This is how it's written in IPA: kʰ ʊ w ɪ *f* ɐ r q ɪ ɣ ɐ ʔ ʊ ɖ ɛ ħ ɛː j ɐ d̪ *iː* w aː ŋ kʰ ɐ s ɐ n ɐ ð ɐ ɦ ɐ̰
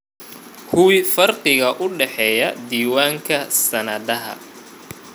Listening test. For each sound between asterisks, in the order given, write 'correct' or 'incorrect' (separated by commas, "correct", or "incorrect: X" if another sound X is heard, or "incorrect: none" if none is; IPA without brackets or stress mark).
correct, correct